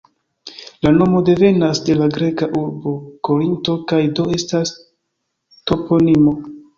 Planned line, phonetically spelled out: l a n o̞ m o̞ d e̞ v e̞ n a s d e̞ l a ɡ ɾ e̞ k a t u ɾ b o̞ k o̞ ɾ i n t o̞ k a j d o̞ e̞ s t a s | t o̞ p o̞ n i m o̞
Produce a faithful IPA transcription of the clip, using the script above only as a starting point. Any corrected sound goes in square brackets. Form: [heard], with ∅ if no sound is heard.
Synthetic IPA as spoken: l a n o̞ m o̞ d e̞ v e̞ n a s d e̞ l a ɡ ɾ e̞ k a [ʔ] u ɾ b o̞ k o̞ ɾ i n t o̞ k a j d o̞ e̞ s t a s | t o̞ p o̞ n i m o̞